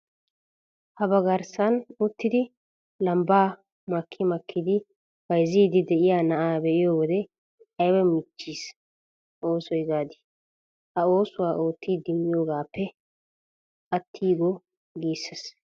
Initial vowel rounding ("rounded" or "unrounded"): unrounded